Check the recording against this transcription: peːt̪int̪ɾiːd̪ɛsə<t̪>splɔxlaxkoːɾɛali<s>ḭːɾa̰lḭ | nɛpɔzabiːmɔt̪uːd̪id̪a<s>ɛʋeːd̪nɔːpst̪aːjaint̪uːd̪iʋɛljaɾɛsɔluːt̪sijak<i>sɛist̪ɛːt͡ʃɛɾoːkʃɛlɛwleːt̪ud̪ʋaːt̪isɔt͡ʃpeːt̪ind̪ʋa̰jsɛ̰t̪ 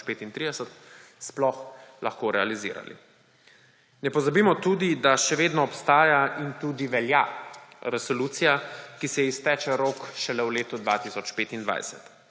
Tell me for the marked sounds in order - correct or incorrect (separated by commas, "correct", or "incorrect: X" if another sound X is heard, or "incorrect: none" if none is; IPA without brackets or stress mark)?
correct, incorrect: z, incorrect: ʃ, correct